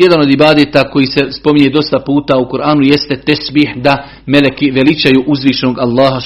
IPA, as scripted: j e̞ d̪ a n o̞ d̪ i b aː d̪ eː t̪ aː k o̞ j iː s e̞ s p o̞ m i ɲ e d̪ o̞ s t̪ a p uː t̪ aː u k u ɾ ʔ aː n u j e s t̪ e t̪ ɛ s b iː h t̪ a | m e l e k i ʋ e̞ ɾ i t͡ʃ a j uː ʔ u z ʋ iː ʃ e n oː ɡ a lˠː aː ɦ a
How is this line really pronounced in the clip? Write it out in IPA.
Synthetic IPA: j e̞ d̪ a n o̞ d̪ i b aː d̪ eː t̪ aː k o̞ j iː s e̞ s p o̞ m i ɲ e d̪ o̞ s t̪ a p uː t̪ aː u k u ɾ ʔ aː n u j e s t̪ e t̪ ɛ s b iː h d̪ a | m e l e k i ʋ e̞ l i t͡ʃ a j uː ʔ u z ʋ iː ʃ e n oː ɡ a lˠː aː ɦ a